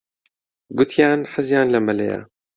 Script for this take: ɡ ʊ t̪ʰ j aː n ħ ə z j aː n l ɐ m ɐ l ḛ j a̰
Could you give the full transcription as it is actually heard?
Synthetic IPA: ɡ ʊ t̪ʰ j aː n ħ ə z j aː n l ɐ m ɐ l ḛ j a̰